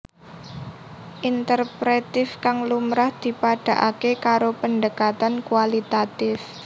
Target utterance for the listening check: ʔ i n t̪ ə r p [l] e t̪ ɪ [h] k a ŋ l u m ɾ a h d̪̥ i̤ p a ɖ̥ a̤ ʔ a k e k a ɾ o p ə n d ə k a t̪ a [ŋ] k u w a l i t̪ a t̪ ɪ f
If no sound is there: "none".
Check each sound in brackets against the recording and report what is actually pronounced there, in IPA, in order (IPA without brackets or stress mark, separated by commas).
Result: ɾ, f, n